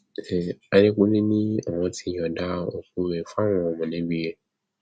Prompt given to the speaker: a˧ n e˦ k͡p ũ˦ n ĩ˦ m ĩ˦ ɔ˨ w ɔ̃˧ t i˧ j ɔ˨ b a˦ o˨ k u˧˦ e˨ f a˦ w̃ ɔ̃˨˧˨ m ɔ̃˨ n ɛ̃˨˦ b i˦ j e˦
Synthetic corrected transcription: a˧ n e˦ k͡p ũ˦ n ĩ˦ n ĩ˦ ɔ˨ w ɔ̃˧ t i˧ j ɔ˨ d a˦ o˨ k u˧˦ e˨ f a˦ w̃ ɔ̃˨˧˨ m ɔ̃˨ n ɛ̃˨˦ b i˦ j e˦